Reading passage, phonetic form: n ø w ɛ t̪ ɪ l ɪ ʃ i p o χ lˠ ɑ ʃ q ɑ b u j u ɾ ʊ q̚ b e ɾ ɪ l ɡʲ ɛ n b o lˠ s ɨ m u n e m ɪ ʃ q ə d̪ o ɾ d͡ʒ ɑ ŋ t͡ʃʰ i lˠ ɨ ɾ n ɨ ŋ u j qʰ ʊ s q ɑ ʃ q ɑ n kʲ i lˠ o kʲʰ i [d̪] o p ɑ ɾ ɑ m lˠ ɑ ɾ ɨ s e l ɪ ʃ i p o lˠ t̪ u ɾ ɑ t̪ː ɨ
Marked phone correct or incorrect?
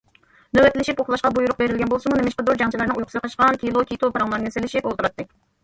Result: incorrect